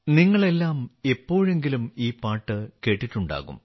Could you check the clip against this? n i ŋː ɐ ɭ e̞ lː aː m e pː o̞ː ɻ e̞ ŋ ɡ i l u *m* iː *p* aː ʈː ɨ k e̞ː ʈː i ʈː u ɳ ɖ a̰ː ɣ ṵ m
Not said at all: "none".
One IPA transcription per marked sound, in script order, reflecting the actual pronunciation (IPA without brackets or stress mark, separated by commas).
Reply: m, p